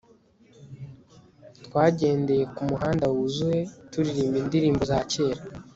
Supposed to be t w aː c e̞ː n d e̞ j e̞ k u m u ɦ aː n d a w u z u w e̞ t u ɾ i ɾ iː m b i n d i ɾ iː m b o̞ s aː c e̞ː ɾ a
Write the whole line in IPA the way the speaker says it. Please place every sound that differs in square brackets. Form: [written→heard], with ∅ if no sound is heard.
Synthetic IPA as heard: t w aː [c→ɟ] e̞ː n d e̞ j e̞ k u m u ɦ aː n d a w u z u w e̞ t u ɾ i ɾ iː m b i n d i ɾ iː m b o̞ [s→z] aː c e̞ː ɾ a